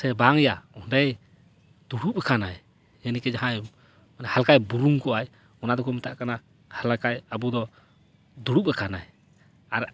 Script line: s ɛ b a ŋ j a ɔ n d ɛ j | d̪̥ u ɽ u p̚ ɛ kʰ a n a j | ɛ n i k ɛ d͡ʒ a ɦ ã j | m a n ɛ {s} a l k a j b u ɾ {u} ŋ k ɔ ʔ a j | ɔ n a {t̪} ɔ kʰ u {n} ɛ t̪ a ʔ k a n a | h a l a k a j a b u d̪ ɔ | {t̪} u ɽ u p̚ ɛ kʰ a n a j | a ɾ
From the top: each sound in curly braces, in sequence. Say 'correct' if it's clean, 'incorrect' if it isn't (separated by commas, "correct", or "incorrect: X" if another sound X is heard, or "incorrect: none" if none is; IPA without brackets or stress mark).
incorrect: h, correct, incorrect: d̪, incorrect: m, incorrect: d̪